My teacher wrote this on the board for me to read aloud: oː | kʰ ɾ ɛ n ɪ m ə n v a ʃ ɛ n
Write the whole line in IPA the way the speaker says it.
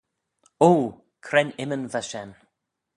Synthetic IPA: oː | kʰ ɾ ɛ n ɪ m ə n v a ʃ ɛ n

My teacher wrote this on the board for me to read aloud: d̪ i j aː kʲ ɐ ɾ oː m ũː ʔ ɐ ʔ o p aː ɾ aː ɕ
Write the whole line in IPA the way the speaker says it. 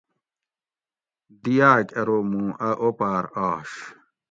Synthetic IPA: d̪ i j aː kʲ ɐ ɾ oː m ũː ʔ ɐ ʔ o p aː ɾ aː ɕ

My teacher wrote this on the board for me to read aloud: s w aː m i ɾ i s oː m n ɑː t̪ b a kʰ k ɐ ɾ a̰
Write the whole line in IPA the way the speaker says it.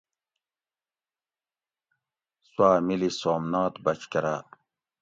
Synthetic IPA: s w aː m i l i s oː m n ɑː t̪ b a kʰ k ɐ ɾ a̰

